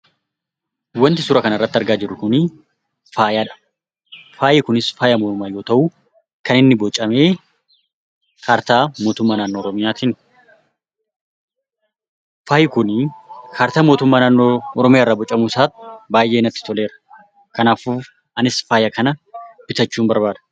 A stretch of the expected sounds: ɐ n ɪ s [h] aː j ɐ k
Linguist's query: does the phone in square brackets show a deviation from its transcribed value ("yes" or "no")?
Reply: yes